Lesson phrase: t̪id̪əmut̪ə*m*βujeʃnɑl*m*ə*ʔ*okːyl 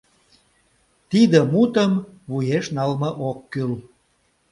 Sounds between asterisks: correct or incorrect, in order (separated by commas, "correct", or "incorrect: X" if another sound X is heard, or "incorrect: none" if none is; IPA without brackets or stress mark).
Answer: correct, correct, correct